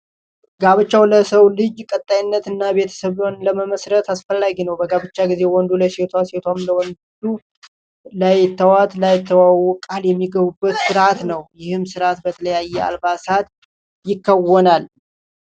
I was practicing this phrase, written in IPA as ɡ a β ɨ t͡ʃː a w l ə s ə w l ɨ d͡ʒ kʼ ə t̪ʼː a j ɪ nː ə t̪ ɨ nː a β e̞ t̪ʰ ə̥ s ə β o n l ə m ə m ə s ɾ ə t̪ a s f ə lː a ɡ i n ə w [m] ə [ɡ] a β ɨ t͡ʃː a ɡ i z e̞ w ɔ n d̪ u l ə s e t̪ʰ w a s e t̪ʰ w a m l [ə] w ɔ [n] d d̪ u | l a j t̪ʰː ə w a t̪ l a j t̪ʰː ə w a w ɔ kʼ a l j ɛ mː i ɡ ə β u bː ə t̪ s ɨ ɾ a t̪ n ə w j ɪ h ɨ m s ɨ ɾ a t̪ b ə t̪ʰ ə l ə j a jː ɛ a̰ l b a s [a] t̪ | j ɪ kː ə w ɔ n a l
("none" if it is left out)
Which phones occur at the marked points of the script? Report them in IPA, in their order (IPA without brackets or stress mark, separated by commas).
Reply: b, ɡ, ə, n, a